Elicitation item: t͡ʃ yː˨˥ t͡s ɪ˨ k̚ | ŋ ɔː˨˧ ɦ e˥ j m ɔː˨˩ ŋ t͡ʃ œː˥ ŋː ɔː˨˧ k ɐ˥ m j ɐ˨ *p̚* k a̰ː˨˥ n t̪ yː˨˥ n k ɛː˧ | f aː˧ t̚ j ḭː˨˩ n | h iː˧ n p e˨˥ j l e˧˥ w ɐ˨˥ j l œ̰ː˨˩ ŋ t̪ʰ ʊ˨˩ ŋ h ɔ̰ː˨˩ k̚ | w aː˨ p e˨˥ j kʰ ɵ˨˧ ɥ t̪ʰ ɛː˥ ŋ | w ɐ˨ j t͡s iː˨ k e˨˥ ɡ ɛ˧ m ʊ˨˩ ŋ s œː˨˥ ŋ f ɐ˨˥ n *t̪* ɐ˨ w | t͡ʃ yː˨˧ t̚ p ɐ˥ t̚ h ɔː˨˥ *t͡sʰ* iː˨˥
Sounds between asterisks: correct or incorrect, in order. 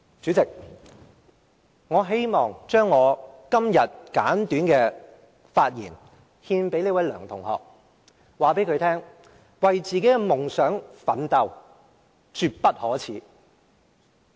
incorrect, correct, correct

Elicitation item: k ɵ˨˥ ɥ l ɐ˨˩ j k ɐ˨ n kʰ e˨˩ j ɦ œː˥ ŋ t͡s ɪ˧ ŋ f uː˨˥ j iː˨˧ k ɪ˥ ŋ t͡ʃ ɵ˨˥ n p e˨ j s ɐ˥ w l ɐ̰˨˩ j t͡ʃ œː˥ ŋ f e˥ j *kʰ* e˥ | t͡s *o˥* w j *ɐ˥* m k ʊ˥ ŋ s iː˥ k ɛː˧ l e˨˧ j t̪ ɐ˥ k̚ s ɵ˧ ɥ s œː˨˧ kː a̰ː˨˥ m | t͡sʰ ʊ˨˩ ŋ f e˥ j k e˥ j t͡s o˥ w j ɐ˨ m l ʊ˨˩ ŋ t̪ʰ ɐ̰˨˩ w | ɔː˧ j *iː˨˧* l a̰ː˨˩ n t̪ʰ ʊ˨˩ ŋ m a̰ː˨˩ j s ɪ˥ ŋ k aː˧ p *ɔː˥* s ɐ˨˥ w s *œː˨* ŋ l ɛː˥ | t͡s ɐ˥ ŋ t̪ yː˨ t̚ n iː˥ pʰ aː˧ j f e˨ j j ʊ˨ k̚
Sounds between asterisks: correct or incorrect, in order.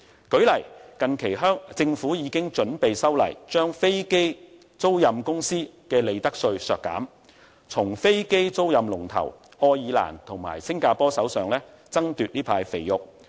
incorrect, correct, incorrect, correct, correct, correct

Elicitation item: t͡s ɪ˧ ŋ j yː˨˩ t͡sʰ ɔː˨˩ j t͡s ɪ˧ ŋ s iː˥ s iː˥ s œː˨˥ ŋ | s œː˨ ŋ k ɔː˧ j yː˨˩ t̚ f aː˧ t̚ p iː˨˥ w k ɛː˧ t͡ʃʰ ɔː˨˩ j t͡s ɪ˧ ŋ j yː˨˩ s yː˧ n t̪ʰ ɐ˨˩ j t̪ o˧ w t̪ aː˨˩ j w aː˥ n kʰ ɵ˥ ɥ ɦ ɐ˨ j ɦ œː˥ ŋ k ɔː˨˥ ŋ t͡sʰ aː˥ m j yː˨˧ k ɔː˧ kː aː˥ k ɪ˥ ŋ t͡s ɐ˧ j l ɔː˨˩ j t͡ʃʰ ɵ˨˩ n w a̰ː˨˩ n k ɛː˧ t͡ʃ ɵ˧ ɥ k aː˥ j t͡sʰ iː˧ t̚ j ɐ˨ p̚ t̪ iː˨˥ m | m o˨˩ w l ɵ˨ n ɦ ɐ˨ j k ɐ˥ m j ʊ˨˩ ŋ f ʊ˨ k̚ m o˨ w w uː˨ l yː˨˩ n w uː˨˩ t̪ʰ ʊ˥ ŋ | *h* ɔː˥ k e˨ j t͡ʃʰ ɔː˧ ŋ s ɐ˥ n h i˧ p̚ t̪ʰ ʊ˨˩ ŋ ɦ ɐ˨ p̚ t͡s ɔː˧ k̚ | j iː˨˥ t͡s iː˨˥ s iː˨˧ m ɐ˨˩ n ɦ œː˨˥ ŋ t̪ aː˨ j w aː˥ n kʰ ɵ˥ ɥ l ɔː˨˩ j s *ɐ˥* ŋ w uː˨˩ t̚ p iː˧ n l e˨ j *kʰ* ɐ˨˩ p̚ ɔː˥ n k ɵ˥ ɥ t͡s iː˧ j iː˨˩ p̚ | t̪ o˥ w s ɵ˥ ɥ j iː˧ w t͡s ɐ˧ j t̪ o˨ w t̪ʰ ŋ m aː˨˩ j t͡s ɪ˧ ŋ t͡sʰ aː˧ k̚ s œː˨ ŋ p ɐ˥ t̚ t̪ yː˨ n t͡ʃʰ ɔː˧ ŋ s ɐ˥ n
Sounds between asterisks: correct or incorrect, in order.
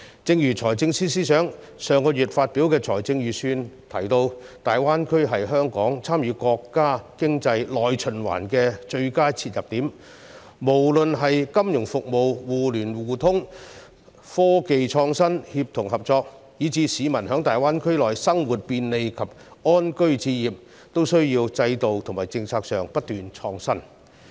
incorrect, correct, correct

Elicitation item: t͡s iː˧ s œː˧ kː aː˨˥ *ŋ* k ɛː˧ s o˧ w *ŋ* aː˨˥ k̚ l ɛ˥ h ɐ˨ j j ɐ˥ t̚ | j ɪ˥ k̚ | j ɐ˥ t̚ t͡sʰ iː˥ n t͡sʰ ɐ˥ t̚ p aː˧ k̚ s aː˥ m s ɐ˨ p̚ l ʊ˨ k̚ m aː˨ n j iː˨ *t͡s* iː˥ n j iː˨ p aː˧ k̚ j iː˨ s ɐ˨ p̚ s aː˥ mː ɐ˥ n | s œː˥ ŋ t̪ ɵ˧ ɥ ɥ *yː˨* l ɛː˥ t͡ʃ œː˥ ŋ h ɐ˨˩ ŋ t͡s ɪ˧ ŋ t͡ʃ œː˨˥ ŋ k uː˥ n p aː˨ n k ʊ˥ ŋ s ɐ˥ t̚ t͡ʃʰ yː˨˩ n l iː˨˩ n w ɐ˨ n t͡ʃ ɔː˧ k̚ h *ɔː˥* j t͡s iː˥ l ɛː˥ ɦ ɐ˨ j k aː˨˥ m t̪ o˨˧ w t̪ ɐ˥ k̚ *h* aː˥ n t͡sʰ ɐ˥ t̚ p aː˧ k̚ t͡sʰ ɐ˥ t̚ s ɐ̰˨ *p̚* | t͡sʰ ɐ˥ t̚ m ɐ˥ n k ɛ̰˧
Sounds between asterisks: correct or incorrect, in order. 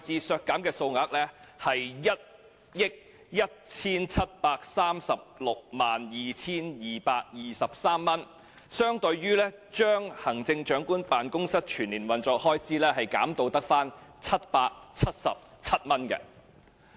incorrect, correct, incorrect, incorrect, correct, incorrect, correct

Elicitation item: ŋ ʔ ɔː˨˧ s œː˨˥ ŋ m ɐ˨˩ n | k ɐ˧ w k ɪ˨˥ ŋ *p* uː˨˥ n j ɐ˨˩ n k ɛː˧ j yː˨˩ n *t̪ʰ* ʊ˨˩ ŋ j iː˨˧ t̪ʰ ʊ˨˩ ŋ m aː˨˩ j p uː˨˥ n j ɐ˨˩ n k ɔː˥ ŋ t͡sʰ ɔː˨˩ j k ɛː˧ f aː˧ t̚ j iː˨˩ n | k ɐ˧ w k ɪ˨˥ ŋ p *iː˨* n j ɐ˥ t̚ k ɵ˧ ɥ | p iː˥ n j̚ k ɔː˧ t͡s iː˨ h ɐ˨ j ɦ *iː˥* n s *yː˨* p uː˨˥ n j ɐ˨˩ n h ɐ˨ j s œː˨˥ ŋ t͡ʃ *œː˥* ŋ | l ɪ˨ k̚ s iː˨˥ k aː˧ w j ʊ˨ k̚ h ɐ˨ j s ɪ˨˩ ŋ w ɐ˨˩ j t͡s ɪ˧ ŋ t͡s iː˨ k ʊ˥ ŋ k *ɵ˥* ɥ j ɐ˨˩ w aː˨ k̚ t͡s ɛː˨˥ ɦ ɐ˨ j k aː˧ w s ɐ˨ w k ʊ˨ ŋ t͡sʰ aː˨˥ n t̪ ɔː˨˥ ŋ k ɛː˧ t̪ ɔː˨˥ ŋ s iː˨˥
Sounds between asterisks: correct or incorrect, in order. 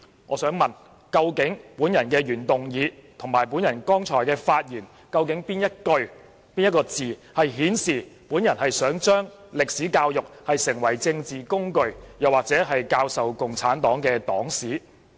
correct, incorrect, incorrect, incorrect, incorrect, correct, incorrect

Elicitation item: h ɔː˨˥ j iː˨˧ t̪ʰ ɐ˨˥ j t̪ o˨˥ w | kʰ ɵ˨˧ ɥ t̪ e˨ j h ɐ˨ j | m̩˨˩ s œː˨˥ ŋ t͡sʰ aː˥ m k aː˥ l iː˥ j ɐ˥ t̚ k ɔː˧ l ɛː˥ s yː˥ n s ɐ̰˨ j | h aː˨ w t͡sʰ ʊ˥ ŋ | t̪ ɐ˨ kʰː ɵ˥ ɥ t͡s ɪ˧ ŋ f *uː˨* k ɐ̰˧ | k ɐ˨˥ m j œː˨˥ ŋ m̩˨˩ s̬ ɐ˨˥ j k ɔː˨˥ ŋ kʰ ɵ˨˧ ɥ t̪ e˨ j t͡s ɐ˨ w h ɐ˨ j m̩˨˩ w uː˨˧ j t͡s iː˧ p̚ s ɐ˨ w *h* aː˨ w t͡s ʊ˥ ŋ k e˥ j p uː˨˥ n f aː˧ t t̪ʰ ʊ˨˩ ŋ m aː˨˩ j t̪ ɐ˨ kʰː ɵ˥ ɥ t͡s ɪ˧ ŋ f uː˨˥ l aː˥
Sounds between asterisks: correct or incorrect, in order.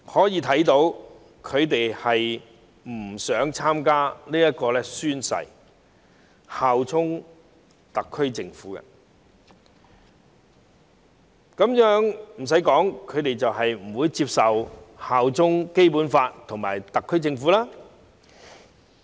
incorrect, correct

